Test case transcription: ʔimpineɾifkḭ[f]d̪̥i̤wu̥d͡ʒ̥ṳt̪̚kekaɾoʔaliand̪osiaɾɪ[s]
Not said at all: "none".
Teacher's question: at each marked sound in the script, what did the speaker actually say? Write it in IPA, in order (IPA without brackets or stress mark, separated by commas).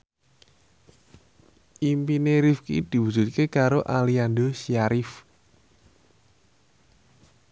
none, f